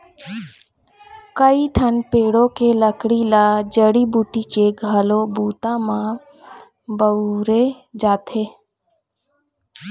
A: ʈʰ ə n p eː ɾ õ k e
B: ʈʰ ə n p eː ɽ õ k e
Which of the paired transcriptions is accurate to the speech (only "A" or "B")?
B